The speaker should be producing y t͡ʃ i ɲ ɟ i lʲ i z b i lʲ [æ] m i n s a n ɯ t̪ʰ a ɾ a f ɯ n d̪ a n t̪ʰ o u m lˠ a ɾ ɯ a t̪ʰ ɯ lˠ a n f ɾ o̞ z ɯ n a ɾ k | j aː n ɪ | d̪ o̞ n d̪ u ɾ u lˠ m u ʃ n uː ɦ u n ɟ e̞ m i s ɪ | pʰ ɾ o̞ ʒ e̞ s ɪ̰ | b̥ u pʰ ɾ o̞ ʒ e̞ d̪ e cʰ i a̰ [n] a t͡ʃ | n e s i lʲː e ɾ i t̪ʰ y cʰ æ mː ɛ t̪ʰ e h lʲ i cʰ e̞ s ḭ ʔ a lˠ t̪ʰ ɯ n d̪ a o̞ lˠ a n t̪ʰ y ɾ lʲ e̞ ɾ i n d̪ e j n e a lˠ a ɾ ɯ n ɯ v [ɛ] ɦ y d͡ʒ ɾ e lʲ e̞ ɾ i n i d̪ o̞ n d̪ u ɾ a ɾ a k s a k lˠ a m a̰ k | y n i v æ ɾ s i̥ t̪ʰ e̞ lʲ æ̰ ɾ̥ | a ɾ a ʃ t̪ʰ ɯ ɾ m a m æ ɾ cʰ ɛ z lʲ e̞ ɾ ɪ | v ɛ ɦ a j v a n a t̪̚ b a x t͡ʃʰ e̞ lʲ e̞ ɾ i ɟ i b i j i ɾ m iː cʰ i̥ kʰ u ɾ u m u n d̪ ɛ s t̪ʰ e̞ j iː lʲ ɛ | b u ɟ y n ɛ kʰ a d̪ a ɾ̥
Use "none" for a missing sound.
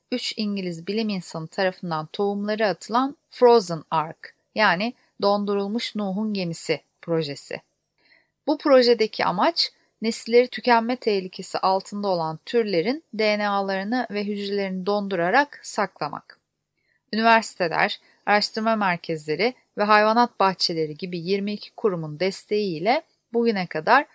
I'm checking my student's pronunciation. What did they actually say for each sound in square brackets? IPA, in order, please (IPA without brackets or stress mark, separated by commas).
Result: i, m, ɛ